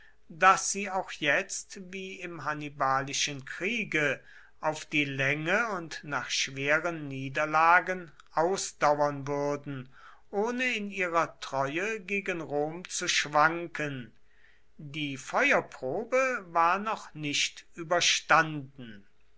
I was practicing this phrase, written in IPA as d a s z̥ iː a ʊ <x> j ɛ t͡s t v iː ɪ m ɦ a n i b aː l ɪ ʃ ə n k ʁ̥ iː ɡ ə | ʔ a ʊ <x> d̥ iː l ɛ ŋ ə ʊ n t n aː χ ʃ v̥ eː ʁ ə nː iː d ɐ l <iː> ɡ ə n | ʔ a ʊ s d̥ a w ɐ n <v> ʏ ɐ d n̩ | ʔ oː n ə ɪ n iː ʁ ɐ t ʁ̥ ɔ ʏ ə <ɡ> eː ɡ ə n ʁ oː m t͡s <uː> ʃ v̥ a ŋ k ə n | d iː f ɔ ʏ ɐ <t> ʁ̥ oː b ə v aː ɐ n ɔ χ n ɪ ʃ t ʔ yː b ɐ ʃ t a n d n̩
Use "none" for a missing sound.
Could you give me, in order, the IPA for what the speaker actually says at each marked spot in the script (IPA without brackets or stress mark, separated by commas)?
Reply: x, f, aː, v, ɡ, u, p